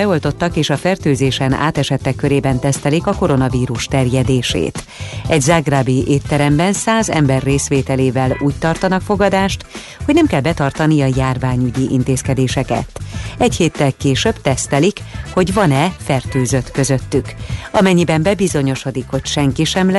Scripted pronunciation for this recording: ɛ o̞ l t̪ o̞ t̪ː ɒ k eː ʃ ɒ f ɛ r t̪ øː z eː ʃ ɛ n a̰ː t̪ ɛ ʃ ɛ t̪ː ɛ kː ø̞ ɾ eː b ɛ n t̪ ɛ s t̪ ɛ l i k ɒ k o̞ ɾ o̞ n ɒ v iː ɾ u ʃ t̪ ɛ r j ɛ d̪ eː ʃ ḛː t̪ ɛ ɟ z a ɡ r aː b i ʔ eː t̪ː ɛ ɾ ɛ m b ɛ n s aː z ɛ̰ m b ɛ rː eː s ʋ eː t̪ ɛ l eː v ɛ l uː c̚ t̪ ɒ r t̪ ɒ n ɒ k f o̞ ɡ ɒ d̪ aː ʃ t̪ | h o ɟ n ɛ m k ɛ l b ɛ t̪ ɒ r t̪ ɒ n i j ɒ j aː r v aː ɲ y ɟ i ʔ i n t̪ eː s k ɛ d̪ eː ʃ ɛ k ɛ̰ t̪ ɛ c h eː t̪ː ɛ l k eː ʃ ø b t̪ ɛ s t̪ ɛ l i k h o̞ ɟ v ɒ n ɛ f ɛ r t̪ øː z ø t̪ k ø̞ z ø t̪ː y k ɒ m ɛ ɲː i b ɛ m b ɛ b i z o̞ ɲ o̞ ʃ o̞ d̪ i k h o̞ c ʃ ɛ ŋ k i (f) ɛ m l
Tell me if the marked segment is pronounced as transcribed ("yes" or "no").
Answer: no